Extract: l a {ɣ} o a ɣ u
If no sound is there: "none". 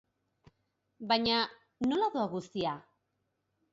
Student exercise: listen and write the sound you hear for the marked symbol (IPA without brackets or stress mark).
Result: ð